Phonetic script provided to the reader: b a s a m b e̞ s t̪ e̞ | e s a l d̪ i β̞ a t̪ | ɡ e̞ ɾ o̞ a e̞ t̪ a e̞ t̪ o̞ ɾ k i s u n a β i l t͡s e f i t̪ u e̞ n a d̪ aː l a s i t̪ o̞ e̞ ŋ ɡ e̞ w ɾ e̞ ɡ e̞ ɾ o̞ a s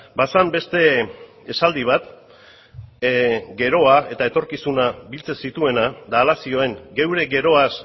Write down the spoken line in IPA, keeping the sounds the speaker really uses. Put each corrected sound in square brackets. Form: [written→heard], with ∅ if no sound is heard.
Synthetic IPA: b a s a m b e̞ s t̪ e̞ | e s a l d̪ i β̞ a t̪ | ɡ e̞ ɾ o̞ a e̞ t̪ a e̞ t̪ o̞ ɾ k i s u n a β i l t͡s e [f→s] i t̪ u e̞ n a d̪ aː l a s i [t̪→∅] o̞ e̞ ŋ ɡ e̞ w ɾ e̞ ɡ e̞ ɾ o̞ a s